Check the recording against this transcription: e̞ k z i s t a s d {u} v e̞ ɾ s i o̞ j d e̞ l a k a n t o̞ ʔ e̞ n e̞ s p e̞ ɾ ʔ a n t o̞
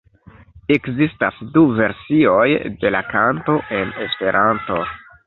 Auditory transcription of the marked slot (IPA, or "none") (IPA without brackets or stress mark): u